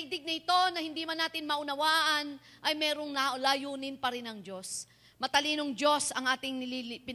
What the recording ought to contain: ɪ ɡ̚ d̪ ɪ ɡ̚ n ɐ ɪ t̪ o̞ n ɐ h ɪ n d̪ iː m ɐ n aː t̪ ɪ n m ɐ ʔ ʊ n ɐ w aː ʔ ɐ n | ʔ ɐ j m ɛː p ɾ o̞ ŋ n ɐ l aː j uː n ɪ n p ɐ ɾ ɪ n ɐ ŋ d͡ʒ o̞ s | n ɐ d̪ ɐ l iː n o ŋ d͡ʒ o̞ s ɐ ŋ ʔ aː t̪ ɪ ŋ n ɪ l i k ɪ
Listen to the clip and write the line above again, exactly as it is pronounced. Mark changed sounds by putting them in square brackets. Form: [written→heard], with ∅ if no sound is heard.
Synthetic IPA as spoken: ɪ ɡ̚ d̪ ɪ ɡ̚ n ɐ ɪ t̪ o̞ n ɐ h ɪ n d̪ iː m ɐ n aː t̪ ɪ n m ɐ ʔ ʊ n ɐ w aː ʔ ɐ n | ʔ ɐ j m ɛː [p→∅] ɾ o̞ ŋ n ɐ l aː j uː n ɪ n p ɐ ɾ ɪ n ɐ ŋ d͡ʒ o̞ s | [n→m] ɐ [d̪→t̪] ɐ l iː n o ŋ d͡ʒ o̞ s ɐ ŋ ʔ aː t̪ ɪ ŋ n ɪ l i [k→p] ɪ